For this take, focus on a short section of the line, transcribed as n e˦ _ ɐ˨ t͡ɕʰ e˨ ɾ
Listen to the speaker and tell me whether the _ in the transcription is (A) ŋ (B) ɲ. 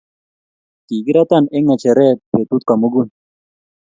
A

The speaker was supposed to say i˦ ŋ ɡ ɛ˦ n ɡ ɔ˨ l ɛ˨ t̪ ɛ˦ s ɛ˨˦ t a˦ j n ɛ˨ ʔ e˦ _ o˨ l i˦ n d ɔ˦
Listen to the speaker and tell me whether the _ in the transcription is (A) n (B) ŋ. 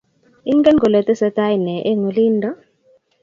B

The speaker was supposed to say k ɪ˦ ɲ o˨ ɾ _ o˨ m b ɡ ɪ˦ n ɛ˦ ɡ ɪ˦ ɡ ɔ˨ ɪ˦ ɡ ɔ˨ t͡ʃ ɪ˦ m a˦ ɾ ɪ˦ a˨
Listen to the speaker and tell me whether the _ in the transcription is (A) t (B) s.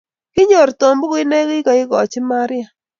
A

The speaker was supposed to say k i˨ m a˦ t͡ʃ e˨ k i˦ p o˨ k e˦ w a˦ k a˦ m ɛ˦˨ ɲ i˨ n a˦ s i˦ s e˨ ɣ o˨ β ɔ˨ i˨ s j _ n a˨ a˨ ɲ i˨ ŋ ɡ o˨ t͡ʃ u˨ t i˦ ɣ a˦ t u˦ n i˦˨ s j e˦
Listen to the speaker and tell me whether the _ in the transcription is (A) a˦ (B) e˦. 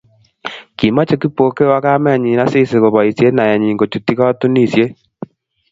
B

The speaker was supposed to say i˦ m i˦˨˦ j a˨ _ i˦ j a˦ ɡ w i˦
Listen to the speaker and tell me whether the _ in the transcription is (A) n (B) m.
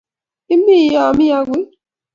B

